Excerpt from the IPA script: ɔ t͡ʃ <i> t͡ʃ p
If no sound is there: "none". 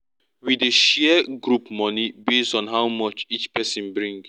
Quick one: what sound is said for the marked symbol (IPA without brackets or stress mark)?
i